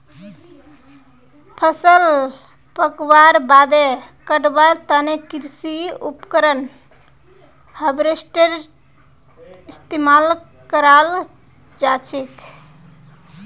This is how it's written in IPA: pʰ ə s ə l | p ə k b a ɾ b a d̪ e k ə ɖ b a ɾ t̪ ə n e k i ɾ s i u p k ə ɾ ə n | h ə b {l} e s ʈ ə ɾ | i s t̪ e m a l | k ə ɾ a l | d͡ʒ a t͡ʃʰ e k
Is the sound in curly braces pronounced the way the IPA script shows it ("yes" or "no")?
no